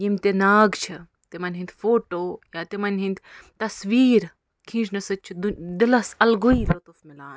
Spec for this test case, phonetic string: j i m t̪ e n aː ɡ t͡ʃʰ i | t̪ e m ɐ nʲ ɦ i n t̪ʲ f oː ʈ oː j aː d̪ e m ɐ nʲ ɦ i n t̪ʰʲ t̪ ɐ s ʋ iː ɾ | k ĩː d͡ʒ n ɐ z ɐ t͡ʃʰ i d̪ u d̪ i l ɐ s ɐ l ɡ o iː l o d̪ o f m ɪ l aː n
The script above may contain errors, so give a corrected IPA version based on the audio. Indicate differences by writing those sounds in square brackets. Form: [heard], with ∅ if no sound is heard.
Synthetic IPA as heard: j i m t̪ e n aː ɡ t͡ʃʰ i | t̪ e m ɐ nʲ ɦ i n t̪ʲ f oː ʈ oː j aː [t̪] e m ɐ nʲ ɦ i n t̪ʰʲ t̪ ɐ s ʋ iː ɾ | [kʰ] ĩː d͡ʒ n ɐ [s] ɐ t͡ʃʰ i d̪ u d̪ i l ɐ s ɐ l ɡ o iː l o [t̪] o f m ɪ l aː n

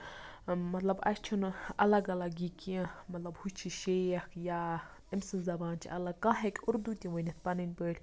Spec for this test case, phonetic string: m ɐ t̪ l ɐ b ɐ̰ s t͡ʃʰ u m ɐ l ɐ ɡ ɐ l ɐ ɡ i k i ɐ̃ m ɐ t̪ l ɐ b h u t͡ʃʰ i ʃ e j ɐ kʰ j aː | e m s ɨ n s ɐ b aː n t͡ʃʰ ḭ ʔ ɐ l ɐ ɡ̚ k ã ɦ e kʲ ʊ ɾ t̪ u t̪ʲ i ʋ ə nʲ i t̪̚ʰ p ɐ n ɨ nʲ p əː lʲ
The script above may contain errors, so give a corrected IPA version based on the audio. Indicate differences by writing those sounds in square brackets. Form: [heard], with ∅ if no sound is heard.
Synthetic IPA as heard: m ɐ t̪ l ɐ b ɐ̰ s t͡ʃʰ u [n] ɐ l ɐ ɡ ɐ l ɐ ɡ i k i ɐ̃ m ɐ t̪ l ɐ b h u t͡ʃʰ i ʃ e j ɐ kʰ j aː | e m s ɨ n [z] ɐ b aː n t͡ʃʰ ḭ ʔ ɐ l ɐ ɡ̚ k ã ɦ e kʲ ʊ ɾ [d̪] u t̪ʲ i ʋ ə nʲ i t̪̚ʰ p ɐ n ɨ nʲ p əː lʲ

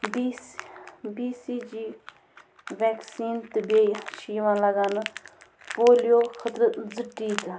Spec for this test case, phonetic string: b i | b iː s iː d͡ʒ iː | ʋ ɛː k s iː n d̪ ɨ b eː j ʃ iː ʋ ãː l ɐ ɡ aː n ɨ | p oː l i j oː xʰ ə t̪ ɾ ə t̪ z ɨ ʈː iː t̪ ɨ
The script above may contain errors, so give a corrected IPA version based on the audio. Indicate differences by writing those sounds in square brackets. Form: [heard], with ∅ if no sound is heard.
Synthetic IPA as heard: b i | b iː s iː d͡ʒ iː | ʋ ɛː k s iː n [t̪] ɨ b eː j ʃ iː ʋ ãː l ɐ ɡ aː n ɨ | p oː l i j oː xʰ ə t̪ ɾ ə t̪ z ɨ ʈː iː t̪ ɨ

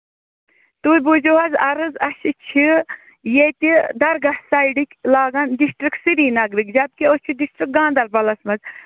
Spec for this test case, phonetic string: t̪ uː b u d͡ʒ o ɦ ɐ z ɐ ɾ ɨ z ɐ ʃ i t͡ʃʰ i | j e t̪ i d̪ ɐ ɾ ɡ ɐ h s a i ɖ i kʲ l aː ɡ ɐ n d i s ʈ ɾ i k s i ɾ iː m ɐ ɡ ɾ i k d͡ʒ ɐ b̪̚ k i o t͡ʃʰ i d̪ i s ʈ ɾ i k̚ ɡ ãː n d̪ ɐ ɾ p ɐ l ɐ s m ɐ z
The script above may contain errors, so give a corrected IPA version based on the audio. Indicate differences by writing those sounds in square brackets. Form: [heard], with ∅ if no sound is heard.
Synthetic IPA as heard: t̪ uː b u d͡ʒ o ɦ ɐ z ɐ ɾ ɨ z ɐ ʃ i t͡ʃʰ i | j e t̪ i d̪ ɐ ɾ ɡ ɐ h s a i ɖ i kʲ l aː ɡ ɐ n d i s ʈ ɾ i k s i ɾ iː [n] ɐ ɡ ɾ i k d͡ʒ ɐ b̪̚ k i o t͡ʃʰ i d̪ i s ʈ ɾ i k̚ ɡ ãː n d̪ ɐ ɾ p ɐ l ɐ s m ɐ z

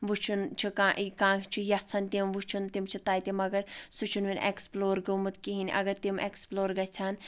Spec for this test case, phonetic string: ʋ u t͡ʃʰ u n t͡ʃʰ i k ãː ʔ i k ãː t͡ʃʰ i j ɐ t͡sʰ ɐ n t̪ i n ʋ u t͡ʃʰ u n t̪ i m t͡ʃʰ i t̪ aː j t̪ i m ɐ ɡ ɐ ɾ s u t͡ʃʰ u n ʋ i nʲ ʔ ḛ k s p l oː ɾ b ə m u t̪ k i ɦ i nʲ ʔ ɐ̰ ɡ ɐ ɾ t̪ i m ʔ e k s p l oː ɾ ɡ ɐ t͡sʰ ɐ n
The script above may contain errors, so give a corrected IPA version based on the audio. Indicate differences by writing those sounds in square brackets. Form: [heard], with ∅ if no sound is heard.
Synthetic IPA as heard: ʋ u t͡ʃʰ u n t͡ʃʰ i k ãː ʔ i k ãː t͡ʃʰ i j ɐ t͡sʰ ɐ n t̪ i [m] ʋ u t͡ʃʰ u n t̪ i m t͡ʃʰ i t̪ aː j t̪ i m ɐ ɡ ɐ ɾ s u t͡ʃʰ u n ʋ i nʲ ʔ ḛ k s p l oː ɾ [ɡ] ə m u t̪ k i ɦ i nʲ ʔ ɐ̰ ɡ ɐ ɾ t̪ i m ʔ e k s p l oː ɾ ɡ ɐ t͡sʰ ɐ n

